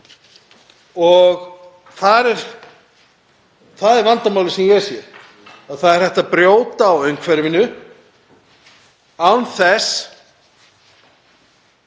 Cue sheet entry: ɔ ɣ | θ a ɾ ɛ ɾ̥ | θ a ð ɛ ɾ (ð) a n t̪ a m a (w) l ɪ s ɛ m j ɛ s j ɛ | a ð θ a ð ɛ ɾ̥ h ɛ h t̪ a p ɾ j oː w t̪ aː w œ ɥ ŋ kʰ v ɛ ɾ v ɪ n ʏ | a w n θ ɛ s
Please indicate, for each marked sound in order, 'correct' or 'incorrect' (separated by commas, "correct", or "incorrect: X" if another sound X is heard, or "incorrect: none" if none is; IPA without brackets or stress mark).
incorrect: v, correct